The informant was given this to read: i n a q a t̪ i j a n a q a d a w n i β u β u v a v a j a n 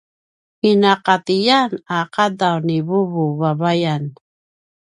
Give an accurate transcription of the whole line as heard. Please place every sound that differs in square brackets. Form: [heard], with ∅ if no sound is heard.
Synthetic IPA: i n a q a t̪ i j a n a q a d a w n i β u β u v a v a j a n